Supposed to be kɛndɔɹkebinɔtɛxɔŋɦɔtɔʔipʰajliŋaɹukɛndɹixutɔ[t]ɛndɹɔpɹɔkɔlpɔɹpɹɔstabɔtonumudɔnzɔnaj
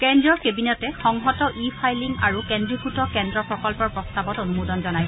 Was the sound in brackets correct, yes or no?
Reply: no